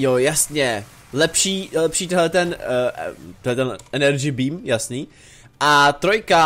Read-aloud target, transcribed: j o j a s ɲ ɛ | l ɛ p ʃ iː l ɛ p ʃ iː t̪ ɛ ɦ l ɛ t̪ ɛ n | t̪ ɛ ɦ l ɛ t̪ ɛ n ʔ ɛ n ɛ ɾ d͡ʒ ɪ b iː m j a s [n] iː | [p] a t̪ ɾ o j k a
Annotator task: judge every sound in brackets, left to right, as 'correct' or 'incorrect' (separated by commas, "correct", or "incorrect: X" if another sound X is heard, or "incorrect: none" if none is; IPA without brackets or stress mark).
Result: correct, incorrect: ʔ